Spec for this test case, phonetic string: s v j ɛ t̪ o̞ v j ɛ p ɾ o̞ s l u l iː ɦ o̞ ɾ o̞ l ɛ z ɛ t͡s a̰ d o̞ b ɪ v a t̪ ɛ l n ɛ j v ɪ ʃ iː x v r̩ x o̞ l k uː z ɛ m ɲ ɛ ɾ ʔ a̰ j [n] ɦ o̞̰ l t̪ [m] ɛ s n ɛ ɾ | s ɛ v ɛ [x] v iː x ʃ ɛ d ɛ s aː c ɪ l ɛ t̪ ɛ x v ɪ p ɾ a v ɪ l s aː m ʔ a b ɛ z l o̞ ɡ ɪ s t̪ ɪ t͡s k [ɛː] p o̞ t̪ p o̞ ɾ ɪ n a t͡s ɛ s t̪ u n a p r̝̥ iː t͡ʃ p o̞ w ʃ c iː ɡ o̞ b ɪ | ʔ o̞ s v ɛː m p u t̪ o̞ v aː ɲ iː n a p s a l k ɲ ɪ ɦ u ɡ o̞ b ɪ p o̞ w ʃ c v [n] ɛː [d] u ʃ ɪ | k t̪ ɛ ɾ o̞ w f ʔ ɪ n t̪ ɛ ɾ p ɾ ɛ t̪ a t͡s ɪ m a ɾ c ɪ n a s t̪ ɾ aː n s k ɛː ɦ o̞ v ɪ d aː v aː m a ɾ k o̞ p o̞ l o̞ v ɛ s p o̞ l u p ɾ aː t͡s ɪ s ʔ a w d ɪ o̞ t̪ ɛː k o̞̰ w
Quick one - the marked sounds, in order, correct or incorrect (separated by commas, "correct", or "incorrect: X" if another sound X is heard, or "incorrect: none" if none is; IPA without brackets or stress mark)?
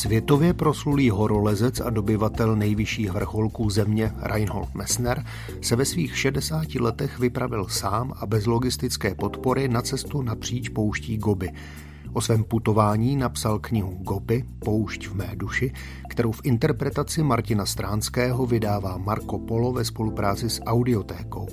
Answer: correct, correct, incorrect: s, correct, incorrect: m, correct